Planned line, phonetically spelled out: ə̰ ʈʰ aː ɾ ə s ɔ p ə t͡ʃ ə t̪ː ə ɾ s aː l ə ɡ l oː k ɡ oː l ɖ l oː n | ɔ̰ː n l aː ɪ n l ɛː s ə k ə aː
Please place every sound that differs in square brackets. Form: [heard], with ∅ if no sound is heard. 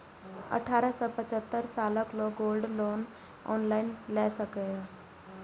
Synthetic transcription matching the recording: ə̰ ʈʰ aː ɾ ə s ɔ p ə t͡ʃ ə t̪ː ə ɾ s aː l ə [k] l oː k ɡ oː l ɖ l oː n | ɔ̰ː n l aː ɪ n l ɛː s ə k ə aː